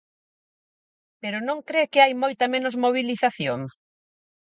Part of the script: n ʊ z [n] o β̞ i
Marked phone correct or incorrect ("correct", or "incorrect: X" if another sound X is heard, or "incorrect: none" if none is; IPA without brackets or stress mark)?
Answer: incorrect: m